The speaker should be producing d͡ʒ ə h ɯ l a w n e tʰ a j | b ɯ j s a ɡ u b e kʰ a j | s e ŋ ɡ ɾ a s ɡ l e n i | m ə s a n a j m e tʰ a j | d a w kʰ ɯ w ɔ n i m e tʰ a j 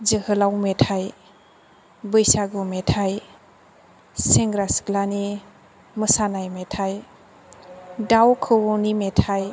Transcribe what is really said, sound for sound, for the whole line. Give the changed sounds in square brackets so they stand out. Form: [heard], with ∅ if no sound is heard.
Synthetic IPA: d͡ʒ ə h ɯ l a w [m] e tʰ a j | b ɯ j s a ɡ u [m] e [tʰ] a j | s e ŋ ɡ ɾ a s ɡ l [a] n i | m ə s a n a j m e tʰ a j | d a w kʰ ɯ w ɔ n i m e tʰ a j